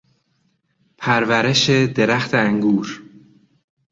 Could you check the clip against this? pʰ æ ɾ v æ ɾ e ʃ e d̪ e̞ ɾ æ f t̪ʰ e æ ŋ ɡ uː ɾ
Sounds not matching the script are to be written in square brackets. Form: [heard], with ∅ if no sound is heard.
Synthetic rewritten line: pʰ æ ɾ v æ ɾ e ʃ e d̪ e̞ ɾ æ [x] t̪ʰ e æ ŋ ɡ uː ɾ

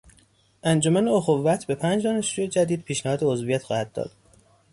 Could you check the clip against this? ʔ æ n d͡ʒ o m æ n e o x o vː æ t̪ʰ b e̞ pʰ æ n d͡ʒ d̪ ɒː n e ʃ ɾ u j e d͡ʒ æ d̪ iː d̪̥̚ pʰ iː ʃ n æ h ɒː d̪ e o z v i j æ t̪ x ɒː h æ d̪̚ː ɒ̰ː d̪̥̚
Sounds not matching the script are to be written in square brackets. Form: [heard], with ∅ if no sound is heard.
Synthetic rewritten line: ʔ æ n d͡ʒ o m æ n e o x o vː æ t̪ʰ b e̞ pʰ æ n d͡ʒ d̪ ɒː n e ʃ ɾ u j e d͡ʒ æ d̪ iː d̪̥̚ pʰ iː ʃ n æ h ɒː d̪ e o z v i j æ t̪ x ɒː h æ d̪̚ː ɒ̰ː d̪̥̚

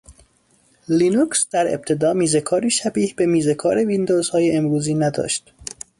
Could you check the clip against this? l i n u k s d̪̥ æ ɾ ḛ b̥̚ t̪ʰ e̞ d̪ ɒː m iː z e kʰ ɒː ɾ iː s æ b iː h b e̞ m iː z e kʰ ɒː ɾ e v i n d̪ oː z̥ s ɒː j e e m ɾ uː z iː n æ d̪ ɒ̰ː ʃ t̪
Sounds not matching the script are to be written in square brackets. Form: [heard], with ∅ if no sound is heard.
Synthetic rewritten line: l i n u k s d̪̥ æ ɾ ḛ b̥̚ t̪ʰ e̞ d̪ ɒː m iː z e kʰ ɒː ɾ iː [ʃ] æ b iː h b e̞ m iː z e kʰ ɒː ɾ e v i n d̪ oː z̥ [h] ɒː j e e m ɾ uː z iː n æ d̪ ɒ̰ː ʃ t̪

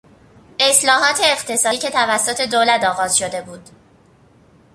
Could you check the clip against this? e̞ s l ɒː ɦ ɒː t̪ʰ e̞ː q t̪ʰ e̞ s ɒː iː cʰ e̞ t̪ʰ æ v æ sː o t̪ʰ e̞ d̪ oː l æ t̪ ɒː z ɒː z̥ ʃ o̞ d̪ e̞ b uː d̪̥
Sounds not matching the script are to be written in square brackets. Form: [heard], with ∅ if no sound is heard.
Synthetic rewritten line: e̞ s l ɒː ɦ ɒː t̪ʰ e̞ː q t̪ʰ e̞ s ɒː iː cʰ e̞ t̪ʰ æ v æ sː o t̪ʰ e̞ d̪ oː l æ t̪ ɒː [ɣ] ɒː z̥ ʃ o̞ d̪ e̞ b uː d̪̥

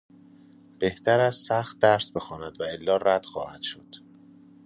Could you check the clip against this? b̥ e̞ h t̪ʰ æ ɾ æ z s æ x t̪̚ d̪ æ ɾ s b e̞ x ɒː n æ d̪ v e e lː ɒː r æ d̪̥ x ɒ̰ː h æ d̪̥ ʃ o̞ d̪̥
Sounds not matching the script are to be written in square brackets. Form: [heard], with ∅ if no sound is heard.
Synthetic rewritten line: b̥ e̞ h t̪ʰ æ ɾ æ z s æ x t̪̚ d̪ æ ɾ s b e̞ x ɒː n æ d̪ v [æ] e lː ɒː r æ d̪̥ x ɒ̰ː h æ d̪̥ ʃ o̞ d̪̥

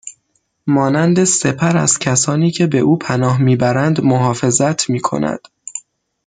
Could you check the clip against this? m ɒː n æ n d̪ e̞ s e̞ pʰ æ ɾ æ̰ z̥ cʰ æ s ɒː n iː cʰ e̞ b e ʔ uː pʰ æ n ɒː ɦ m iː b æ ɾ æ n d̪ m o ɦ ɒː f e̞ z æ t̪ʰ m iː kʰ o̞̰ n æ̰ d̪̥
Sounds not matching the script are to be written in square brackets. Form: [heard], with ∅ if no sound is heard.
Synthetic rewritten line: m ɒː n æ n d̪ e̞ s e̞ pʰ æ ɾ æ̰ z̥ cʰ æ s ɒː n iː cʰ e̞ b e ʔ uː pʰ æ n ɒː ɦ m iː b æ ɾ æ n d̪ m o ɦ ɒː f e̞ z æ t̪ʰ m iː kʰ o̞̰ n æ̰ d̪̥

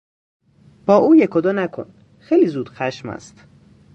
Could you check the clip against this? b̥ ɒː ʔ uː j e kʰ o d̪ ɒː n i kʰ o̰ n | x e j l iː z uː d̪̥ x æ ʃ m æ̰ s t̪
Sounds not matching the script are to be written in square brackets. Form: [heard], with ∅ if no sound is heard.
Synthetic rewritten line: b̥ ɒː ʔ uː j e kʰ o d̪ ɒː n [æ] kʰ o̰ n | x e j l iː z uː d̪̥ x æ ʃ m æ̰ s t̪

